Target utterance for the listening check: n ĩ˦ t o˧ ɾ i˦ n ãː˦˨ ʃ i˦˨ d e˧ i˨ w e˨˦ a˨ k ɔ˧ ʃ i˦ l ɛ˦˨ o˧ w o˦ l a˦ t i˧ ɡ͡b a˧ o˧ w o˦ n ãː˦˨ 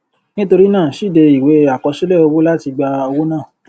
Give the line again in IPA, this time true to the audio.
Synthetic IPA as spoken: n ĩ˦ t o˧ ɾ i˦ n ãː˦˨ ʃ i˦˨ d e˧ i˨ w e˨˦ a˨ k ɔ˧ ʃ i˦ l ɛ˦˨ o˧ w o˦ l a˦ t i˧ ɡ͡b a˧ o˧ w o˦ n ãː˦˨

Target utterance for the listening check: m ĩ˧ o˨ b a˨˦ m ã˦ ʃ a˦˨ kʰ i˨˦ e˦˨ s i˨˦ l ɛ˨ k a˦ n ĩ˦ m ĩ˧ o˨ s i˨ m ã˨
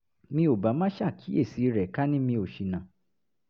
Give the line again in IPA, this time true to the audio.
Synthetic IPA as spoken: m ĩ˧ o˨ b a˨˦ m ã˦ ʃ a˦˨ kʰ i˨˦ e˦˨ s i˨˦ ɾ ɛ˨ k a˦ n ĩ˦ m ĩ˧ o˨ ʃ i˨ n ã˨

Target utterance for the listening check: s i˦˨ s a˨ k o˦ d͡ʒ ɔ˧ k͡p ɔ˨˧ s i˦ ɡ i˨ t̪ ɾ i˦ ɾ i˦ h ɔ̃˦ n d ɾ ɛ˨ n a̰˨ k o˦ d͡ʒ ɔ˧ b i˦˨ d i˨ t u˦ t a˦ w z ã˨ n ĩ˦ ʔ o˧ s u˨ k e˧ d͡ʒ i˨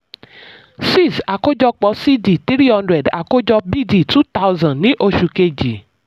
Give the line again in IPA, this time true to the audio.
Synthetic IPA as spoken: s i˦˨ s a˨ k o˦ d͡ʒ ɔ˧ k͡p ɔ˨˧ s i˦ d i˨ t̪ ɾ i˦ ɾ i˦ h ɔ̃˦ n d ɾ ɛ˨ d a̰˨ k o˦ d͡ʒ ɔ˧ b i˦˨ d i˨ t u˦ t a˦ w z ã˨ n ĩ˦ ʔ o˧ ʃ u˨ k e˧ d͡ʒ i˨

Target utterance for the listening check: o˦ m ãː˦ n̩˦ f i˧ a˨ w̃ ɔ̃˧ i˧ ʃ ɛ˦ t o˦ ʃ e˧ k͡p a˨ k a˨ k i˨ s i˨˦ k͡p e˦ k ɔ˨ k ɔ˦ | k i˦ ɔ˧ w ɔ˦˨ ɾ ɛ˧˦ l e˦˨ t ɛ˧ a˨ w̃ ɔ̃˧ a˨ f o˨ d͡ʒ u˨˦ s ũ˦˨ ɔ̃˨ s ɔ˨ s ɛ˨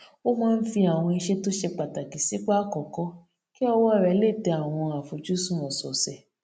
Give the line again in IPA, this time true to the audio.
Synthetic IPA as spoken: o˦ m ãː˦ n̩˦ f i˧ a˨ w̃ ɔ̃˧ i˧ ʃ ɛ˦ t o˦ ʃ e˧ k͡p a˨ t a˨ k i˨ s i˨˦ k͡p a˦ k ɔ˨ k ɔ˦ | k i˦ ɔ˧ w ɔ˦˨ ɾ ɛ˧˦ l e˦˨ t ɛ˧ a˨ w̃ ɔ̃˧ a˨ f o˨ d͡ʒ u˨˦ s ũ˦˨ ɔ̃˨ s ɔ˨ s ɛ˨

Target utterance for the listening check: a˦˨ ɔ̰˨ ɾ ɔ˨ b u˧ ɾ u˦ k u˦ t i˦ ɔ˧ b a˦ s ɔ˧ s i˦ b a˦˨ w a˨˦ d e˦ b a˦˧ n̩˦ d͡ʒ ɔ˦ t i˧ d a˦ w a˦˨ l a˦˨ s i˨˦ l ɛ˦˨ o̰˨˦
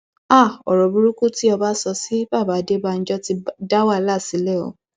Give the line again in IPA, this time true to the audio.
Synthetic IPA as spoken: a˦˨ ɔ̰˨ ɾ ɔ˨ b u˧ ɾ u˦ k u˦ t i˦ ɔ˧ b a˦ s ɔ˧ s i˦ b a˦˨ b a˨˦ d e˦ b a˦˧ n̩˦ d͡ʒ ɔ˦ t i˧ d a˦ w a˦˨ l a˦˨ s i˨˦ l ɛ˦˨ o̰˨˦

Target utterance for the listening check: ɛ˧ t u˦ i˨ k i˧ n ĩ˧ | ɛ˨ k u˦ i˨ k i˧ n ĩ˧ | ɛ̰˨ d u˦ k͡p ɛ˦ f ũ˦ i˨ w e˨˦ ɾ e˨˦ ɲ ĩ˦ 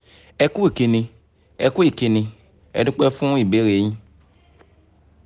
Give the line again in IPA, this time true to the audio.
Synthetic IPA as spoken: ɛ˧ k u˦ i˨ k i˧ n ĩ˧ | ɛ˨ k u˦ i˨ k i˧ n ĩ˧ | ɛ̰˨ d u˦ k͡p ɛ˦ f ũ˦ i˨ b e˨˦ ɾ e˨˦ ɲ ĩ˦

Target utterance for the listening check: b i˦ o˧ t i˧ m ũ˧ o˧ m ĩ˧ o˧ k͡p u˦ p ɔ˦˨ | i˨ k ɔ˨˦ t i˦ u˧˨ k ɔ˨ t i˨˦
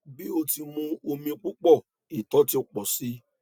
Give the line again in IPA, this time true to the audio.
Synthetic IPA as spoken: b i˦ o˧ t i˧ m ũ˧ o˧ m ĩ˧ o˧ k͡p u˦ k͡p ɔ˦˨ | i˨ t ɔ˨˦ t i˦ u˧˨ k͡p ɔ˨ s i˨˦

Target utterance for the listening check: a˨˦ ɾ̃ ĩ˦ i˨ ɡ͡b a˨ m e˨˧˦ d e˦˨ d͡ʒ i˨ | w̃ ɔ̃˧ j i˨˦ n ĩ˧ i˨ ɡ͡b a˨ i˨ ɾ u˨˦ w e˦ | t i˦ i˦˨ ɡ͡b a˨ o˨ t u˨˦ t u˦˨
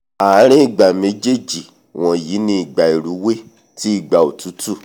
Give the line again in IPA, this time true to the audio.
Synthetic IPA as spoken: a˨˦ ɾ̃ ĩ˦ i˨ ɡ͡b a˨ m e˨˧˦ d͡ʒ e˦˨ d͡ʒ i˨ | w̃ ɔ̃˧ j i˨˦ n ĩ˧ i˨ ɡ͡b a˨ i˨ ɾ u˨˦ w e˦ | t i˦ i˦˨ ɡ͡b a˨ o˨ t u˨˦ t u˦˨

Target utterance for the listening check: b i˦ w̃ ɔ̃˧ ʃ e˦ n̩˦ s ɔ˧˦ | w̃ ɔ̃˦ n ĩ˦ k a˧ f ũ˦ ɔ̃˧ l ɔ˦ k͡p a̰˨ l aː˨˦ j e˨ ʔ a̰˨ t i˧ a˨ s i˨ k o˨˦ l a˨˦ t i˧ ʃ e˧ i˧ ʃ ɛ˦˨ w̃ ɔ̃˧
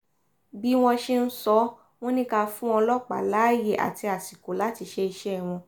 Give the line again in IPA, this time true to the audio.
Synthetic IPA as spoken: b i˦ w̃ ɔ̃˧ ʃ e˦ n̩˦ s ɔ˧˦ | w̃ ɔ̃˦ n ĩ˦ k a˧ f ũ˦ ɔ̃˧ l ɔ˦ k͡p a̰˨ l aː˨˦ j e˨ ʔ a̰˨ t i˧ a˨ s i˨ k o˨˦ l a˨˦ t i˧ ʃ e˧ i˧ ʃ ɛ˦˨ w̃ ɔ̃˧

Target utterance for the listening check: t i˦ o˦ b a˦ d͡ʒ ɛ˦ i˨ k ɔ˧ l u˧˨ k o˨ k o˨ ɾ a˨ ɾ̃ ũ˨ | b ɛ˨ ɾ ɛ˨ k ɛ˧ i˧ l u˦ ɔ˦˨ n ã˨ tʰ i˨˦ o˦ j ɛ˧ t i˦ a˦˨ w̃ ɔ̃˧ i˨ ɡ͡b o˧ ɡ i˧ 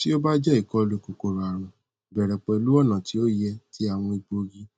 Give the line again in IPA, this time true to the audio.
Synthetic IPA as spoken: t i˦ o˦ b a˦ d͡ʒ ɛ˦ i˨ k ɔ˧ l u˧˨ k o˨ k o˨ ɾ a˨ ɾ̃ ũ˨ | b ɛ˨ ɾ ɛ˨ k͡p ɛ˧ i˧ l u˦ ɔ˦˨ n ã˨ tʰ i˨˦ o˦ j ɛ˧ t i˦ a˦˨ w̃ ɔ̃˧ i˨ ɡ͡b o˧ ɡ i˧

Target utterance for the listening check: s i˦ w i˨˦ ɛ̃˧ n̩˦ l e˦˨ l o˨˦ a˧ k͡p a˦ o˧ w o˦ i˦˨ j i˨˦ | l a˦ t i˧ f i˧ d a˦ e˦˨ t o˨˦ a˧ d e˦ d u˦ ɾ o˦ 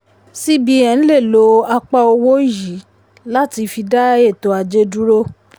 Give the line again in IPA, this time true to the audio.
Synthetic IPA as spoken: s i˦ b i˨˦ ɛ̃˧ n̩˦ l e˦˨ l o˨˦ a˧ k͡p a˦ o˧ w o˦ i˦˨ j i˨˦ | l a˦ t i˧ f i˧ d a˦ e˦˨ t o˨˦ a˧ d͡ʒ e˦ d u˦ ɾ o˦

